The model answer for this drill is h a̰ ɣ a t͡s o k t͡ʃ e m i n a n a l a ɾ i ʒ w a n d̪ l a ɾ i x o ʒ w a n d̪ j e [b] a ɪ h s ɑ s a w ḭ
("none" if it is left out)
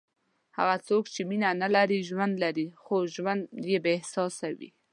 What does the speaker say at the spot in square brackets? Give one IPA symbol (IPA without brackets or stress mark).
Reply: b